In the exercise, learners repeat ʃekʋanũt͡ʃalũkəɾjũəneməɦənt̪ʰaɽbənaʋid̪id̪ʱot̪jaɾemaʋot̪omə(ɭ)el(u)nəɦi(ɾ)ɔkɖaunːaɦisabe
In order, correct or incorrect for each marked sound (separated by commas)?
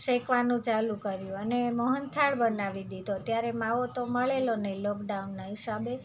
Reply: correct, incorrect, incorrect